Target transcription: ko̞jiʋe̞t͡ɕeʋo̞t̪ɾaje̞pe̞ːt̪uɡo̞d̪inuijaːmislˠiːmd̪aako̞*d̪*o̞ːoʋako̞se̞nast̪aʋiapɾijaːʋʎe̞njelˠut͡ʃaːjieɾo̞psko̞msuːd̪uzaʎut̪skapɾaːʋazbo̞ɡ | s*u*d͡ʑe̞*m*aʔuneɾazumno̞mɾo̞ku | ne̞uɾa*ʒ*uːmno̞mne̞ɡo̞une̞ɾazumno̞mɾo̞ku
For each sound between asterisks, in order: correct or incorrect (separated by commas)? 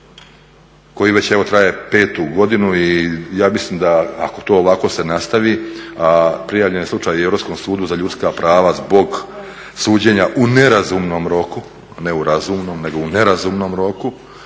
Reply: incorrect, incorrect, incorrect, incorrect